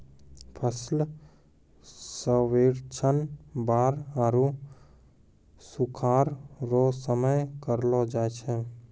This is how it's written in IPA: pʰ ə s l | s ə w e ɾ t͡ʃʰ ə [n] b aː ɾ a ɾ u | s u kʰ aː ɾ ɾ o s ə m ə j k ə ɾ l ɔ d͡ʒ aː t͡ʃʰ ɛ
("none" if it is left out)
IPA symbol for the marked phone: n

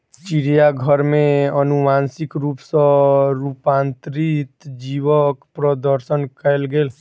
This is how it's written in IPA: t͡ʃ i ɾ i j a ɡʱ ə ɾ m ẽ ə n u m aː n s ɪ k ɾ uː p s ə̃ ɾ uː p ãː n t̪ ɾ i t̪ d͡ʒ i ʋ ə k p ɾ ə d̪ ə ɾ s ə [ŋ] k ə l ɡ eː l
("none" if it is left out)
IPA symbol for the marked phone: n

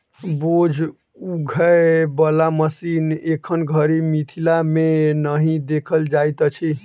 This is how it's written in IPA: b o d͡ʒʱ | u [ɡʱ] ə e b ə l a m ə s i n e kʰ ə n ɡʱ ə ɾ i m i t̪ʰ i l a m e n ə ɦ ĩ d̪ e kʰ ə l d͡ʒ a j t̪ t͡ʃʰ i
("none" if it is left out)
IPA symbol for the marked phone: ɡʱ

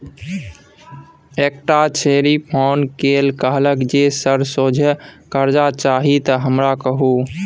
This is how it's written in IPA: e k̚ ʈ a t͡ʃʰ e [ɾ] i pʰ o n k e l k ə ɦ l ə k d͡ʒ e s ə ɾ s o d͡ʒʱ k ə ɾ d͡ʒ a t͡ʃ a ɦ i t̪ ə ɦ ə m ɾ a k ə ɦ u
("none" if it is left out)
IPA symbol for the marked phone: ɾ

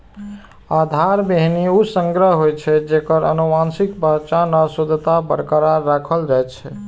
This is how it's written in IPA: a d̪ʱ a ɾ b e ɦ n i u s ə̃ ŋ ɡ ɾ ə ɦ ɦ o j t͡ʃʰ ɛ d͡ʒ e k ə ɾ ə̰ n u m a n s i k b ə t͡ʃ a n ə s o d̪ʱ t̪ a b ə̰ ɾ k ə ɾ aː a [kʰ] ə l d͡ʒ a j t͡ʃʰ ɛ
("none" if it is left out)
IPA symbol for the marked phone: kʰ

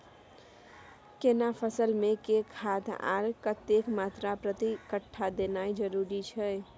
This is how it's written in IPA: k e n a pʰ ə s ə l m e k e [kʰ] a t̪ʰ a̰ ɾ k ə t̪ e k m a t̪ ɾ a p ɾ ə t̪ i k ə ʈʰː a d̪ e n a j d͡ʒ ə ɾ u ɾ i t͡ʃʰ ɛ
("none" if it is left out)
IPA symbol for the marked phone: kʰ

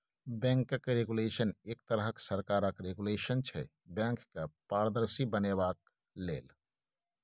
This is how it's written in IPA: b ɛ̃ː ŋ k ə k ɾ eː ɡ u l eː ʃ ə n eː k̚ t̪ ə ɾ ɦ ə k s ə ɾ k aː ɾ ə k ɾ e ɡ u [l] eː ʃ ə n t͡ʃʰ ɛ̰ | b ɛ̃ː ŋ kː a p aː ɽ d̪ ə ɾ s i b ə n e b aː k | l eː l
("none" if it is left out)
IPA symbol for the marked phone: l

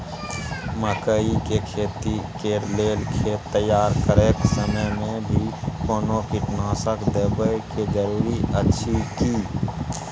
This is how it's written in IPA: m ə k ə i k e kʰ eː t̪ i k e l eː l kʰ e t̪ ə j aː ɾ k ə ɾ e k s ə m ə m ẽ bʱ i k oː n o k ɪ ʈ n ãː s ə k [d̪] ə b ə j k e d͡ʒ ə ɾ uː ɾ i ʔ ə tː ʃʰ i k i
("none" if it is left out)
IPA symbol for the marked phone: d̪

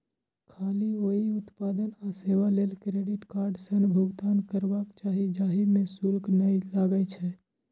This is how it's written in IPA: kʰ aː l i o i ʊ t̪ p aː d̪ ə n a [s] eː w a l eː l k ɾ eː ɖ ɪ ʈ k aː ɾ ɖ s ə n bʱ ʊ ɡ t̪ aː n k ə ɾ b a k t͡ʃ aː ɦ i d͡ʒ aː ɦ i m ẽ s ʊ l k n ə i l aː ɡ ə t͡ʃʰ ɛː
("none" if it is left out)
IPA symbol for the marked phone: s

